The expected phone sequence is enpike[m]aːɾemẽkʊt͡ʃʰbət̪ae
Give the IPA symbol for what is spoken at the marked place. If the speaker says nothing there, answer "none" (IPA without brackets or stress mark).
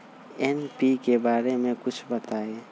b